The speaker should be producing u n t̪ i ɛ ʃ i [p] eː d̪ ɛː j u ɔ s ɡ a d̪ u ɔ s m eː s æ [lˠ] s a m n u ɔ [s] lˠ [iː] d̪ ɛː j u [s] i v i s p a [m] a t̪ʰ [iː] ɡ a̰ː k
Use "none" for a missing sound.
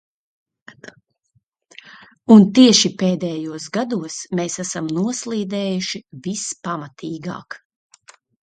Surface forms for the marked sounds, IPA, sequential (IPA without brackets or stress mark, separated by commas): p, none, s, iː, ʃ, m, iː